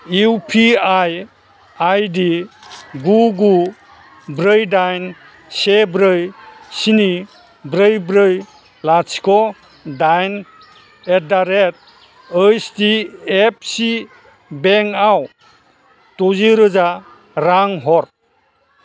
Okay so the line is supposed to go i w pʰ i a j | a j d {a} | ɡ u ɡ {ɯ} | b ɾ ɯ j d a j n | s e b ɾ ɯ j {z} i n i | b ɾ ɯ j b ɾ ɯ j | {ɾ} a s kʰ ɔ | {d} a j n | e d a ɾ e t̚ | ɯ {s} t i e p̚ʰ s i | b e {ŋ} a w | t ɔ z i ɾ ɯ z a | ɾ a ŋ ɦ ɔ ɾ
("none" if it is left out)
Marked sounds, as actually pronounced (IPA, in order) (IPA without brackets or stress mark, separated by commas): i, u, s, l, d, s, ŋ